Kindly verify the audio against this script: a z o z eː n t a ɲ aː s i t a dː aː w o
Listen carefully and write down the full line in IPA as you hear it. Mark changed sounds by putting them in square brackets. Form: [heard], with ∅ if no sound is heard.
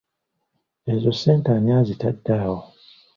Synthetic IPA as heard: [e] z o [s] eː n t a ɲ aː [z] i t a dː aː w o